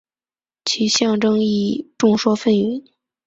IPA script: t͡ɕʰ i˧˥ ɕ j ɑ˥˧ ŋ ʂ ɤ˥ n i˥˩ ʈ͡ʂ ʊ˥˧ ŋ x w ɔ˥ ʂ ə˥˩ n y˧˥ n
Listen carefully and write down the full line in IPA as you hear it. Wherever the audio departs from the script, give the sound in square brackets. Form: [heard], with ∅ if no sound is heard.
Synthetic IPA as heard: t͡ɕʰ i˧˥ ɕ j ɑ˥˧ ŋ [ʈ͡ʂ] ɤ˥ [ŋ] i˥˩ ʈ͡ʂ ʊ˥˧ ŋ [ʂ] w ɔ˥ [f] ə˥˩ n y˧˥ n